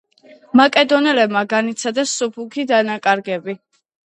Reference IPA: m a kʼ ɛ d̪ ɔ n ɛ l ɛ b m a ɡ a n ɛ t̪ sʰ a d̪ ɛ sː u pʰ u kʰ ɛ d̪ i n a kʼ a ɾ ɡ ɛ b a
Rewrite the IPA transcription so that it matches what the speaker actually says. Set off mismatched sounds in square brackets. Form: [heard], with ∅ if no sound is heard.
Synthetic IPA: m a kʼ ɛ d̪ ɔ n ɛ l ɛ b m a ɡ a n [i] t̪ sʰ a d̪ ɛ sː u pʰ u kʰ [i] d̪ [a] n a kʼ a ɾ ɡ ɛ b [i]